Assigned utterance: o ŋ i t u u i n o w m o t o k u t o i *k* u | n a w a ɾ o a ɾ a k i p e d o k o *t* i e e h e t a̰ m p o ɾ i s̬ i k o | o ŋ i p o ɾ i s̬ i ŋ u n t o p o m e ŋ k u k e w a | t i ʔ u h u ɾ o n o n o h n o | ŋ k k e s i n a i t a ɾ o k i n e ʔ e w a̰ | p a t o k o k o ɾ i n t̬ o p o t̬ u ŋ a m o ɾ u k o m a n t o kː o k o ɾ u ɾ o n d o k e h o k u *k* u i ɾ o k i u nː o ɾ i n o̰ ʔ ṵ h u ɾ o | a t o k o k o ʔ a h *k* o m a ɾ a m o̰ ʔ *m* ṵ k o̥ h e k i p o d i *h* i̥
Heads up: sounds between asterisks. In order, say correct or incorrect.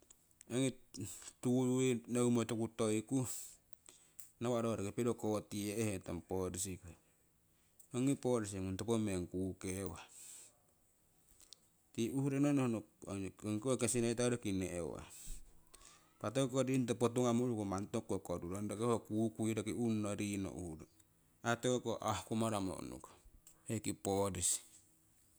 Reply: correct, correct, correct, correct, incorrect, incorrect

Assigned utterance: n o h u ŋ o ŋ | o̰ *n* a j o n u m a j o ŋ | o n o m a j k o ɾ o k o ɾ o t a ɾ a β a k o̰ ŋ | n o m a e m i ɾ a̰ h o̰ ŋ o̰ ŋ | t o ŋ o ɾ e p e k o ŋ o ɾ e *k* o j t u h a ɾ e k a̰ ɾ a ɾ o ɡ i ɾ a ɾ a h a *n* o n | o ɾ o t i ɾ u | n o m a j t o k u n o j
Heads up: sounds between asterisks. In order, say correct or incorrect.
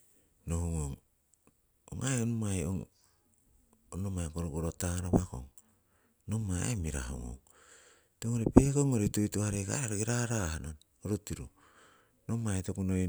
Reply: incorrect, incorrect, correct

